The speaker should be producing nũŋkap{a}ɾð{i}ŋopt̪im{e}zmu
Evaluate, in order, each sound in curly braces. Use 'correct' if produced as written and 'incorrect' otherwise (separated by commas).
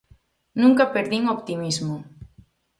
incorrect, correct, incorrect